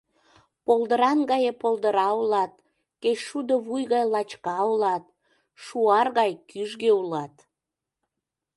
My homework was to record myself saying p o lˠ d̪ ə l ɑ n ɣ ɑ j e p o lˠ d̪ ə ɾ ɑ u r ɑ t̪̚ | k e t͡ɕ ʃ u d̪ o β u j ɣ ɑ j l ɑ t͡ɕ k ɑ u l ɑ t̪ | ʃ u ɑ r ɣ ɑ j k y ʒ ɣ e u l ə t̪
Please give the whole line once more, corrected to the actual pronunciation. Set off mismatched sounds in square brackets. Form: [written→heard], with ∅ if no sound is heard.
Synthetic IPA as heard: p o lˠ d̪ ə [l→ɾ] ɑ n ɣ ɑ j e p o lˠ d̪ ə ɾ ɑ u [r→l] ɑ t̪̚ | k e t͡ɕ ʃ u d̪ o β u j ɣ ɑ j l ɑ t͡ɕ k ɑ u l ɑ t̪ | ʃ u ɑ r ɣ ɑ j k y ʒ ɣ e u l [ə→ɑ] t̪